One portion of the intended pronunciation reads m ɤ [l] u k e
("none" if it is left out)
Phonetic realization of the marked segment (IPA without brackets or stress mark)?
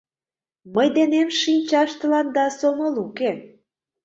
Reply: l